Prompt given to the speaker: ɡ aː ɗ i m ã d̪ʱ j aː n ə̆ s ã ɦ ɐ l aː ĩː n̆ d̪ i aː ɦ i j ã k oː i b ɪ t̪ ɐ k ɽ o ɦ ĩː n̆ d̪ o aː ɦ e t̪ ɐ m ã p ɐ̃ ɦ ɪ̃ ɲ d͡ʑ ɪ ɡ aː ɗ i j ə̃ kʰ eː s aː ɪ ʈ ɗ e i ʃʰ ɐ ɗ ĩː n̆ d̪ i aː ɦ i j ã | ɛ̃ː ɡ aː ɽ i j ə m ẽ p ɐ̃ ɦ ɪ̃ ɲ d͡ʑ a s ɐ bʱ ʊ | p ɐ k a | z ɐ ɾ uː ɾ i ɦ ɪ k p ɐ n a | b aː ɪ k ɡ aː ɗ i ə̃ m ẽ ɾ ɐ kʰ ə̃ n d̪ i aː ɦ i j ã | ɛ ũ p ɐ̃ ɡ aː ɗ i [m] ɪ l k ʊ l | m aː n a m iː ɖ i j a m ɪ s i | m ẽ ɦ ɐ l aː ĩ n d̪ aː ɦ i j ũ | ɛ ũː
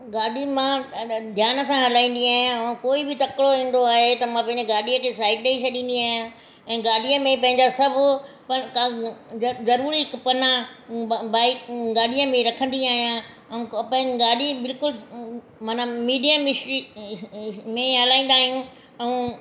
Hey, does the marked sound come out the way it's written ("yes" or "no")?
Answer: no